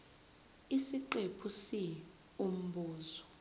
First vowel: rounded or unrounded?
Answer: unrounded